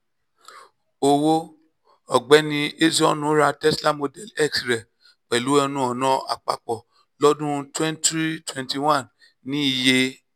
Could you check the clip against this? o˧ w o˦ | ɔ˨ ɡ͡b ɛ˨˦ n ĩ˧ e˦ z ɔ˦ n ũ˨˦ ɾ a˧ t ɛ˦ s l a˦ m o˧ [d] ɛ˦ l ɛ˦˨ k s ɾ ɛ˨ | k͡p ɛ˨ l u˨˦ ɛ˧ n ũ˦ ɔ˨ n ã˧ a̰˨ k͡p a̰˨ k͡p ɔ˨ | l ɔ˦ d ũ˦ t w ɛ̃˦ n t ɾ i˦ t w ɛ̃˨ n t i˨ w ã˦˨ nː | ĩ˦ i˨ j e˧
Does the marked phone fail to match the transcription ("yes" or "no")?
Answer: no